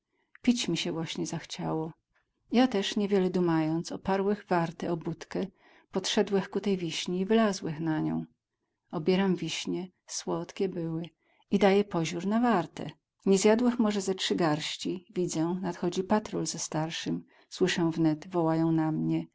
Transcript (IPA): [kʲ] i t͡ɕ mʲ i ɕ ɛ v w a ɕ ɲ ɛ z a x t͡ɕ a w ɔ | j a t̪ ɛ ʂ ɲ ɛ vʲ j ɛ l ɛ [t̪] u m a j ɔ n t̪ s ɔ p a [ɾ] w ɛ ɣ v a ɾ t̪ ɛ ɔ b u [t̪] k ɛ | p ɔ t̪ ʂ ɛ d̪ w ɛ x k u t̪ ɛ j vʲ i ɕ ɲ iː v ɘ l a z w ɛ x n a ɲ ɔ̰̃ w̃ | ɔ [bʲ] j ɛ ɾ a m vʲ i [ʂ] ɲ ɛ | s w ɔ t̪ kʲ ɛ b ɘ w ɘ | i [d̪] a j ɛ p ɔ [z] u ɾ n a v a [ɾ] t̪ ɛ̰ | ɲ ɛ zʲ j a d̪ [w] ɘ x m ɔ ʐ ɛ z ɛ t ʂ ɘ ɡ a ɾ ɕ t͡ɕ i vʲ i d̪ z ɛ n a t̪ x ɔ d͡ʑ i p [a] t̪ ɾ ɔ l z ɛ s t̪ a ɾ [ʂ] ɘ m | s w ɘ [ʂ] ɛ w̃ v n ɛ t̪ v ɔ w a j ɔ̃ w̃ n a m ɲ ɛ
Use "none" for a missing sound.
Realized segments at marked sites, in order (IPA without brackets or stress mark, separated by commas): pʲ, d̪, ɾ, t̪, bʲ, ɕ, d̪, ʑ, ɾ, w, a, ʂ, ʂ